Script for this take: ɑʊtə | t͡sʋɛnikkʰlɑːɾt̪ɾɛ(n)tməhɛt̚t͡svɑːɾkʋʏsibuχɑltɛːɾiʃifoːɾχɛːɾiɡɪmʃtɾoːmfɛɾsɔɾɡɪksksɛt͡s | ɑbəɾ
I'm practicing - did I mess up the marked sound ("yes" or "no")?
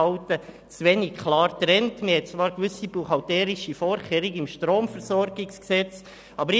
no